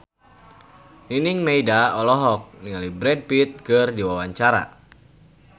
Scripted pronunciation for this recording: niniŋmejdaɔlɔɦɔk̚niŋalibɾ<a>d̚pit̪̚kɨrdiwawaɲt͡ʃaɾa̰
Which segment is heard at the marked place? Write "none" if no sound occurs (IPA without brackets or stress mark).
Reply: ɛ